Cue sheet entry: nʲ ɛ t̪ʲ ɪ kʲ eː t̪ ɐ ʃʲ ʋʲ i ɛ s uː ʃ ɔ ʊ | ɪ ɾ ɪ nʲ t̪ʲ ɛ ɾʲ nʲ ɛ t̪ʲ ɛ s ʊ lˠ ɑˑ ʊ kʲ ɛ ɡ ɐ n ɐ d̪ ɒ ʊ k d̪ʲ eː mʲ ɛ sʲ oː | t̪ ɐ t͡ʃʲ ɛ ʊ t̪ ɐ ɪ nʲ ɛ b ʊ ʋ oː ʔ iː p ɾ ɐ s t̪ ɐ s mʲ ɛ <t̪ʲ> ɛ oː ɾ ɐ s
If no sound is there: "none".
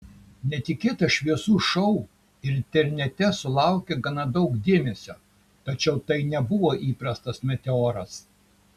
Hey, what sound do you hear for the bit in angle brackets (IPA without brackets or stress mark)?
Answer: t̪ʲ